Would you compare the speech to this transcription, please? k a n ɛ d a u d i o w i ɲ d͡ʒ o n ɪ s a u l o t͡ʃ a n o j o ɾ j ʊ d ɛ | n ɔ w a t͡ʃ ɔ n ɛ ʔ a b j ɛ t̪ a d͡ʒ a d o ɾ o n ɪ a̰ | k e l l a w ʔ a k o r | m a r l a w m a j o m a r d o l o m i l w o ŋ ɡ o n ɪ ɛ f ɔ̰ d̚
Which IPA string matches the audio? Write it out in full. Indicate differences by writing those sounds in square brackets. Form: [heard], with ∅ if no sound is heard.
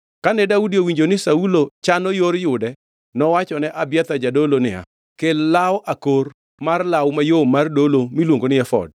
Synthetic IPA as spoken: k a n ɛ d a u d i o w i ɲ d͡ʒ o n ɪ s a u l o t͡ʃ a n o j o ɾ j ʊ d ɛ | n ɔ w a t͡ʃ ɔ n ɛ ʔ a b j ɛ t̪ a d͡ʒ a d o [l] o n ɪ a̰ | k e l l a w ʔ a k o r | m a r l a w m a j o m a r d o l o m i l w o ŋ ɡ o n ɪ ɛ f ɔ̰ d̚